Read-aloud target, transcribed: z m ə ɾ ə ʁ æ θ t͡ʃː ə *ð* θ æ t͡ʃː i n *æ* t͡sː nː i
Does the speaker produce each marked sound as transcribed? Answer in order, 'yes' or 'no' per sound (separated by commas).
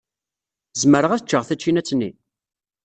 no, yes